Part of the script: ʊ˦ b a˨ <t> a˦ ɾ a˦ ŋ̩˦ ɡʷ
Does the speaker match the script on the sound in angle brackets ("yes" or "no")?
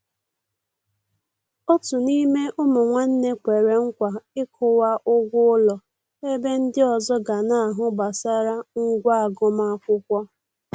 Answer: no